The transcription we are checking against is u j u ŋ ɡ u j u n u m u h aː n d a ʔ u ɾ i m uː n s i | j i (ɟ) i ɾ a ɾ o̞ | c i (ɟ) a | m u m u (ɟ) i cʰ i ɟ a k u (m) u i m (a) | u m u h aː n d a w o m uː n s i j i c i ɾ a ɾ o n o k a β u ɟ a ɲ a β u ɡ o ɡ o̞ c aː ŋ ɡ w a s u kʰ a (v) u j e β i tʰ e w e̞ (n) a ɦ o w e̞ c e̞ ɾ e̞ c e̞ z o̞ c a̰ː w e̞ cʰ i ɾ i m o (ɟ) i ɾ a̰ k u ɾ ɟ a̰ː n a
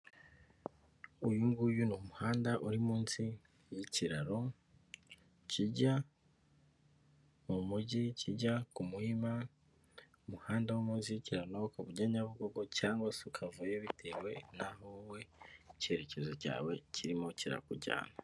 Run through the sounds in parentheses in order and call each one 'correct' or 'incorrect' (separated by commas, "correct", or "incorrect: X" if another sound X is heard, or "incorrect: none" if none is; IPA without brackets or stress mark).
incorrect: c, correct, correct, correct, correct, correct, correct, incorrect: c